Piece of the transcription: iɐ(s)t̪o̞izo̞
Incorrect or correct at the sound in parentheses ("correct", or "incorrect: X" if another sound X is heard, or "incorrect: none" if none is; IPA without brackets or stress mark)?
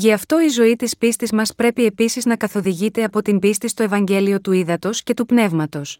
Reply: incorrect: f